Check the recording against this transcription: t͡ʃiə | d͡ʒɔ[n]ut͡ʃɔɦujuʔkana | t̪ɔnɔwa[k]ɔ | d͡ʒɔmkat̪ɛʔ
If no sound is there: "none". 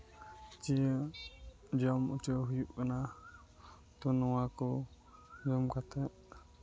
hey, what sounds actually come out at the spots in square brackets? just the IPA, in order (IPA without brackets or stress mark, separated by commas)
m, k